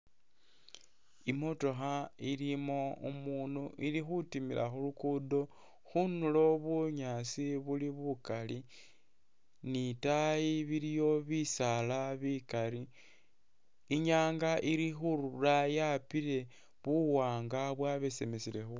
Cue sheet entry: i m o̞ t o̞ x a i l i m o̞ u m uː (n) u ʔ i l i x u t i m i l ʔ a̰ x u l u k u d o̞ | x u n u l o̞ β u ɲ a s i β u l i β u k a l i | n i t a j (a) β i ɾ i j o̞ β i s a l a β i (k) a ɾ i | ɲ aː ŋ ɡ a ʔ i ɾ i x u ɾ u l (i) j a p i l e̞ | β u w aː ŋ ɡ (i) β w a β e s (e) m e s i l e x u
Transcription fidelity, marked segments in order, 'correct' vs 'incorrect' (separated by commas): correct, incorrect, correct, incorrect, incorrect, correct